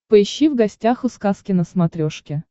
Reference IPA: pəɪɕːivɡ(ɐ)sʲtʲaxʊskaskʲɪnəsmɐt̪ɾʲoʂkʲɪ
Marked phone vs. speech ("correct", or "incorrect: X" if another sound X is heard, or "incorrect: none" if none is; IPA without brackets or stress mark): correct